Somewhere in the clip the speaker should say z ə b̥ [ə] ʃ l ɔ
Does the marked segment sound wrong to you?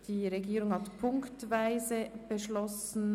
no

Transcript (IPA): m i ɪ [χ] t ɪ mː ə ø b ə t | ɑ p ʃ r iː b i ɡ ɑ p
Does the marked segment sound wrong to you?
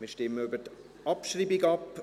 yes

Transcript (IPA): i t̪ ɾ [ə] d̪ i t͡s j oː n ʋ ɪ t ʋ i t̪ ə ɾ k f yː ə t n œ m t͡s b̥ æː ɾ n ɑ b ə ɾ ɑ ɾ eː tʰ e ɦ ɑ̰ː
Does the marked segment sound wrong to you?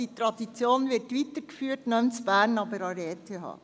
yes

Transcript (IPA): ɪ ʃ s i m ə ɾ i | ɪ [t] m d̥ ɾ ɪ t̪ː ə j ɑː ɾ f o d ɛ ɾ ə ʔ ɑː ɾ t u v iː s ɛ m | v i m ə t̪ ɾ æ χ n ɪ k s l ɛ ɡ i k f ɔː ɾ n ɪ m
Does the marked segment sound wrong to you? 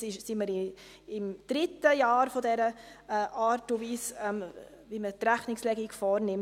yes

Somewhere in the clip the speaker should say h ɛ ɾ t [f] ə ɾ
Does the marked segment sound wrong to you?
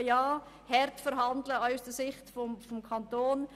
no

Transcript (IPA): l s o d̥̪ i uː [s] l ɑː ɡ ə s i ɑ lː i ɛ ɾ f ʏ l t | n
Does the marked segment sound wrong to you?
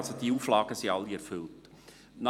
yes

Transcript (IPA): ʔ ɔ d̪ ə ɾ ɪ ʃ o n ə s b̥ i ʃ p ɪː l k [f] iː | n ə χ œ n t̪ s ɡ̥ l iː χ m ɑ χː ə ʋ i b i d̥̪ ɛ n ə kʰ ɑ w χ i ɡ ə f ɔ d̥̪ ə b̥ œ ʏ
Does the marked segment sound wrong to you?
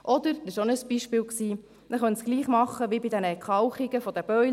yes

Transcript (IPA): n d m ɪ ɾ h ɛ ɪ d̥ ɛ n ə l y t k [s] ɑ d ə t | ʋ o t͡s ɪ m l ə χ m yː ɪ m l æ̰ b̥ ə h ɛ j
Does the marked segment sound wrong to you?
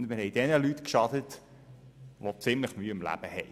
yes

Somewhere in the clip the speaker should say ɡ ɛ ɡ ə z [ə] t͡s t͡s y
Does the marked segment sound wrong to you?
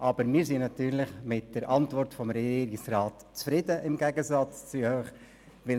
yes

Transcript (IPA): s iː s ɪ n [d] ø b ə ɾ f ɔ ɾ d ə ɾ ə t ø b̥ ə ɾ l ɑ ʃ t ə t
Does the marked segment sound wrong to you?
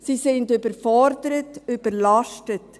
no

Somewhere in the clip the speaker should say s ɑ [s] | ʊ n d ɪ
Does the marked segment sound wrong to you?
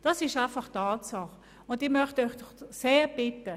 yes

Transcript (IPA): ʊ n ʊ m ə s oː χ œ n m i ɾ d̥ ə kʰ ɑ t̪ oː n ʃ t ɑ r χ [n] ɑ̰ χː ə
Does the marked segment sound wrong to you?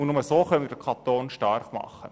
yes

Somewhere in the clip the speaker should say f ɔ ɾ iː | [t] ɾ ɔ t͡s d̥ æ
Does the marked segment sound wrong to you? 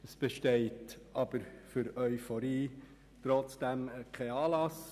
no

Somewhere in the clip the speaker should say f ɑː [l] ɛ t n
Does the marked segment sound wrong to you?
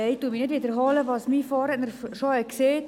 yes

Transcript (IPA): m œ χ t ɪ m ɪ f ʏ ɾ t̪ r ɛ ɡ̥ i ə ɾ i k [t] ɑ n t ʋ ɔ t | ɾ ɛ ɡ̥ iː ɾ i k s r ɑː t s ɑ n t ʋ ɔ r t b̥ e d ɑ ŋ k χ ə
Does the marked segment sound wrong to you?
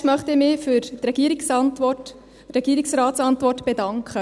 yes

